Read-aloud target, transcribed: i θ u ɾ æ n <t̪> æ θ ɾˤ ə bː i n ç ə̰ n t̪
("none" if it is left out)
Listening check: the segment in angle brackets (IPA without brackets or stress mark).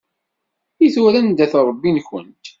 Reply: d̪